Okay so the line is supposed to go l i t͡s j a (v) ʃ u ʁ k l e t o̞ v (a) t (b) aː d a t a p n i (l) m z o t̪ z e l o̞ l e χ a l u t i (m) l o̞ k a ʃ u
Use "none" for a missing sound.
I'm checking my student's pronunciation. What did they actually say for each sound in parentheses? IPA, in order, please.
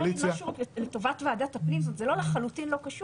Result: none, a, v, none, n

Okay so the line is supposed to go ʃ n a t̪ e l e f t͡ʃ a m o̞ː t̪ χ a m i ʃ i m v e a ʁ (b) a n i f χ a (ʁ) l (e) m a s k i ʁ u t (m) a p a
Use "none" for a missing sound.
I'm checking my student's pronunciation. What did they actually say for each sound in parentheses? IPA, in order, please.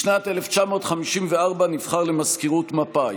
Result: b, ʁ, e, m

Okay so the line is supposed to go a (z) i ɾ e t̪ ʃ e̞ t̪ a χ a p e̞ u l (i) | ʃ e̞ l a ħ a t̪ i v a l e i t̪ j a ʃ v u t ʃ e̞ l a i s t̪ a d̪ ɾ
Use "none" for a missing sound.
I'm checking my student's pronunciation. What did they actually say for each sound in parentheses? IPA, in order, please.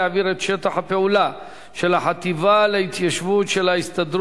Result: v, a

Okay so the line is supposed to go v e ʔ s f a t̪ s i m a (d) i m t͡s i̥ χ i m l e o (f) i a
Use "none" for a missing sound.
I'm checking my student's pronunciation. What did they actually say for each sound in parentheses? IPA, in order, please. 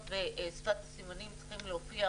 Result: n, f

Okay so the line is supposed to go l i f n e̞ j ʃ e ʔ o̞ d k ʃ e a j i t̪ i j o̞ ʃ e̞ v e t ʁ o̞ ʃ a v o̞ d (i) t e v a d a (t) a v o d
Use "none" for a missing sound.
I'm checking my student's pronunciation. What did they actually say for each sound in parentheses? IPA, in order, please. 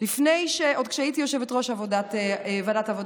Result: a, t

